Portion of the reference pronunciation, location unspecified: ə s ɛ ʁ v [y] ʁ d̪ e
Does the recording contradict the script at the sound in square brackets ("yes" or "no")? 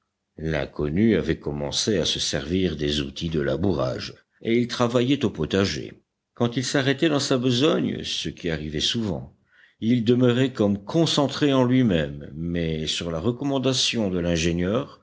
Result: yes